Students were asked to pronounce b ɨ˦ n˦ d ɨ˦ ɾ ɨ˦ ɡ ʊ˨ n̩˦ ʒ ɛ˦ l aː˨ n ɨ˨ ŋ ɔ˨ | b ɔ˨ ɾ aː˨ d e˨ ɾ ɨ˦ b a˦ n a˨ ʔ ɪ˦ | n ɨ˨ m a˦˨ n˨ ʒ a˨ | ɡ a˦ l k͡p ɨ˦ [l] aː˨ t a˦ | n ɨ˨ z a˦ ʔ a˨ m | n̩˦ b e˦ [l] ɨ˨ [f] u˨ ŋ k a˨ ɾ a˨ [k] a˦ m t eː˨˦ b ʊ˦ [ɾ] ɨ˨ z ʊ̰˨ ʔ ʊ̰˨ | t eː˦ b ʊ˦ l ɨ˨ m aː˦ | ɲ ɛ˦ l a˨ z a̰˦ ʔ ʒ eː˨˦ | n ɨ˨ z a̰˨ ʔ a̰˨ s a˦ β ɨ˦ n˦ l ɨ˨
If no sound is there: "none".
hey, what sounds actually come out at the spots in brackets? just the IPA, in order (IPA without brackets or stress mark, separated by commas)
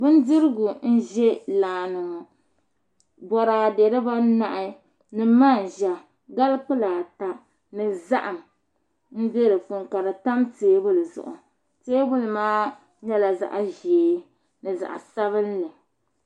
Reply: l, ɾ, f, t, l